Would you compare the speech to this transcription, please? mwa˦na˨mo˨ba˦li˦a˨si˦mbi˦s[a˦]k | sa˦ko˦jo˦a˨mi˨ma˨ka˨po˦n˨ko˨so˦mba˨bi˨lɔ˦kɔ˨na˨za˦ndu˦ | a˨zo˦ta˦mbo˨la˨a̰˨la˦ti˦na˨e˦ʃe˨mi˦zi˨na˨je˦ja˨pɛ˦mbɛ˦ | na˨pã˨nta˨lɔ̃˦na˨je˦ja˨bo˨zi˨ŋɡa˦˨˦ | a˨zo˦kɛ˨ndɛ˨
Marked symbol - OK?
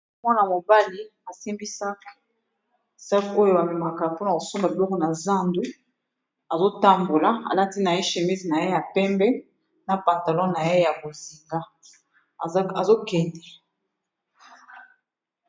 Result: yes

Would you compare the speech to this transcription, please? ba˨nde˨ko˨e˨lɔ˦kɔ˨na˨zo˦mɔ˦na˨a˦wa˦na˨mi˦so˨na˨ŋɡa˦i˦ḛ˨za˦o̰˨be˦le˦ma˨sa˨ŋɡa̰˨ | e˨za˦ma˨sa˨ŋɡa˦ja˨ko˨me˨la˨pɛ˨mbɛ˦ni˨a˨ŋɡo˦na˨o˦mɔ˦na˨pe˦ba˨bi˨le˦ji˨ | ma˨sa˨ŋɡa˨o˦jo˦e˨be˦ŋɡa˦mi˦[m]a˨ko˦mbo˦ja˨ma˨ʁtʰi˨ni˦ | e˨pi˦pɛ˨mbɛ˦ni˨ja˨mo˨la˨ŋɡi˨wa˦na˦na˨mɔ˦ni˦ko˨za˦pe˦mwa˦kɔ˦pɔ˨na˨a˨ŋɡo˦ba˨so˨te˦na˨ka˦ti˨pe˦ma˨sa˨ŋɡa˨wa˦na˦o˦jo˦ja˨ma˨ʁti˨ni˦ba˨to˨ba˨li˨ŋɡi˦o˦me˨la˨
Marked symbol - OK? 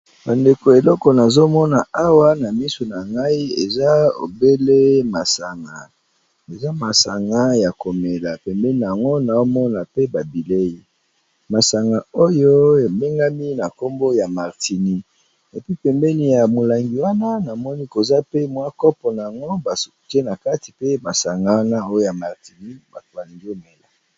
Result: no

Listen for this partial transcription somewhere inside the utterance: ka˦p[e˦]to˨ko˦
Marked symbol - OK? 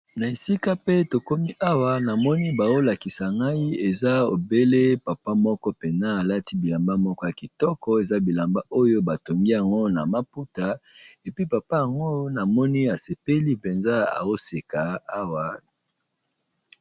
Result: yes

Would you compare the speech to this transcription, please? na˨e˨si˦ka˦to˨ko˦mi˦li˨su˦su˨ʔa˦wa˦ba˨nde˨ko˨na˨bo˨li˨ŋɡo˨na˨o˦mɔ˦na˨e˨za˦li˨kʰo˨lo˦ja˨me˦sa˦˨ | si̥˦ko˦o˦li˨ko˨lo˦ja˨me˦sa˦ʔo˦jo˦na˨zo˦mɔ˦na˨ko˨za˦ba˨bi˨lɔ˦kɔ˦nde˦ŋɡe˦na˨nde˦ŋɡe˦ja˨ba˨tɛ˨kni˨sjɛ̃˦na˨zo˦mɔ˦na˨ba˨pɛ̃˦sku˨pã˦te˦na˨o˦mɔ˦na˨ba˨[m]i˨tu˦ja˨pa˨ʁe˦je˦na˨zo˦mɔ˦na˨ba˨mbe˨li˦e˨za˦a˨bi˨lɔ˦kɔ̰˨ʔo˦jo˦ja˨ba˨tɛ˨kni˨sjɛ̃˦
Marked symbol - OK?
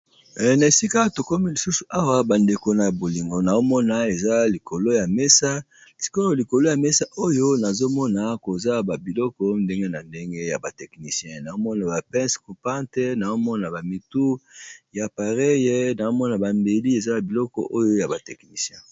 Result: yes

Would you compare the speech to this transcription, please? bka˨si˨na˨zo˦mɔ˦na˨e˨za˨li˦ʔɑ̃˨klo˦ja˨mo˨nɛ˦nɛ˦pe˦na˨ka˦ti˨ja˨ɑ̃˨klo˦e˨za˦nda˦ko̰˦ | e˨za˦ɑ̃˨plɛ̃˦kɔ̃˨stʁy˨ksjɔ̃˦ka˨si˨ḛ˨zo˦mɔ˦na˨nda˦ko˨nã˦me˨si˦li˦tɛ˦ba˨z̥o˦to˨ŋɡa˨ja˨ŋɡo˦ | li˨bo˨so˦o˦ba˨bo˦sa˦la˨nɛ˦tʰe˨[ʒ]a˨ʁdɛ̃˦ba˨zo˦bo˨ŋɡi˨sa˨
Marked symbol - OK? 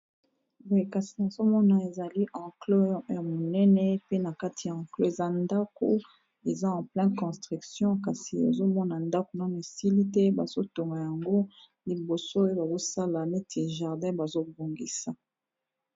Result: yes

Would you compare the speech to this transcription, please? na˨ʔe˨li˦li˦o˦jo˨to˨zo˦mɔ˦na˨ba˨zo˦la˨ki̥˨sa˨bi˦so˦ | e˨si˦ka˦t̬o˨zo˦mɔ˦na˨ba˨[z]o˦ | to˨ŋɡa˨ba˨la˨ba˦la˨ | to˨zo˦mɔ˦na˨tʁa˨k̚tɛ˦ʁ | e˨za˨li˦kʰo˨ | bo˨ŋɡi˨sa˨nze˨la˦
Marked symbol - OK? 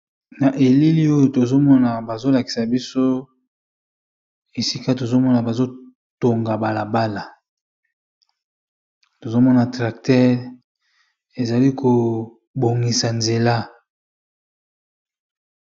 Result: yes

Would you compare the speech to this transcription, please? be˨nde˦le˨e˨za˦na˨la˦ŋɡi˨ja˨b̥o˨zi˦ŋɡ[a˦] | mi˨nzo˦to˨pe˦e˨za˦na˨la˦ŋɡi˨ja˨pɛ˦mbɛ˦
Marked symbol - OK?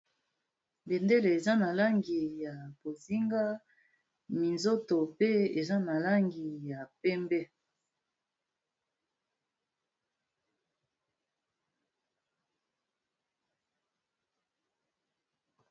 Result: yes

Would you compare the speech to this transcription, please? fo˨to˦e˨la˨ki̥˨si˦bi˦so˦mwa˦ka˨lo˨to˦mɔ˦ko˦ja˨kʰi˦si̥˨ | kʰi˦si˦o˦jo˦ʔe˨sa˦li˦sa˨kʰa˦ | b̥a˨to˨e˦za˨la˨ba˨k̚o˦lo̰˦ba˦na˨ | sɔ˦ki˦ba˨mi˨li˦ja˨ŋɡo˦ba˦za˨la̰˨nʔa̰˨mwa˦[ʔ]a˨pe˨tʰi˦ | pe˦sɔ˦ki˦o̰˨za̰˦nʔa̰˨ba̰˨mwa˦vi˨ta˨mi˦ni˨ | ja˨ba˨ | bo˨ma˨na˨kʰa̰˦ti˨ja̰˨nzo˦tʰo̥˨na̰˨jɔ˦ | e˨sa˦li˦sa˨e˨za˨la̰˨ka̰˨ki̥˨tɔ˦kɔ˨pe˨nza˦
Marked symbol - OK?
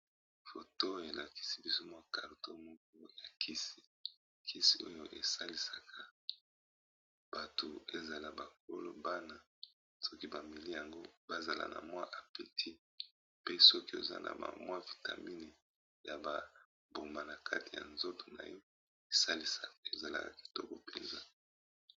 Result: yes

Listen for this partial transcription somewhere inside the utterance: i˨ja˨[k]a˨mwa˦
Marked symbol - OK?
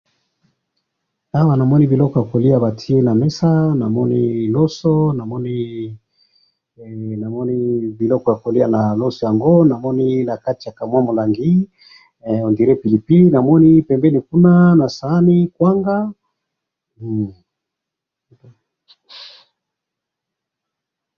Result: yes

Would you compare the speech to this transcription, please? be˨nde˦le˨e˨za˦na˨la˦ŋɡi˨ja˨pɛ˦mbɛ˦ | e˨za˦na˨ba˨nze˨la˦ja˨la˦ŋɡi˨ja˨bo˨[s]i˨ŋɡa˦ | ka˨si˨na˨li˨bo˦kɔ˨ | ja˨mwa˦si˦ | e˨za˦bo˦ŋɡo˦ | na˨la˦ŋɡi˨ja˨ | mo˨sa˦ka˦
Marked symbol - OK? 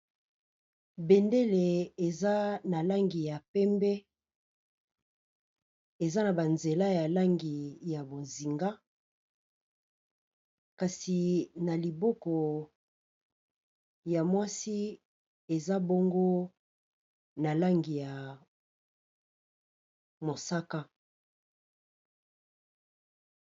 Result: no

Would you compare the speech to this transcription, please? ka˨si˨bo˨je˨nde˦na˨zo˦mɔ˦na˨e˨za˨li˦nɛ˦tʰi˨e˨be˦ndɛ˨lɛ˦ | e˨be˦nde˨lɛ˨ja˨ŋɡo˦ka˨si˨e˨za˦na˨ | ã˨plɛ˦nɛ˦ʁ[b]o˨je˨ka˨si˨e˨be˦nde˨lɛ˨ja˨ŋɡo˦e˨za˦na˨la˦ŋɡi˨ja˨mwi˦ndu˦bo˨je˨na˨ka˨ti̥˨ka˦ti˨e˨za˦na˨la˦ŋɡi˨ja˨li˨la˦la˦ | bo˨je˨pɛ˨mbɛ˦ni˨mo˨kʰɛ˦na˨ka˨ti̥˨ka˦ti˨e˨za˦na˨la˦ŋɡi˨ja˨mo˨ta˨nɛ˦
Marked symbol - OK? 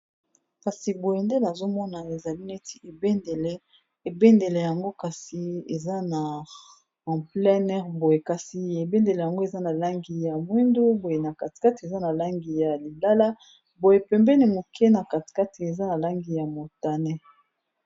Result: yes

